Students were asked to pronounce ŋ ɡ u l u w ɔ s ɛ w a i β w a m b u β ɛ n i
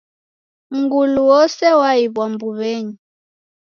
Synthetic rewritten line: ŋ ɡ u l u w ɔ s ɛ w a i β w a m b u β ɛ ɲ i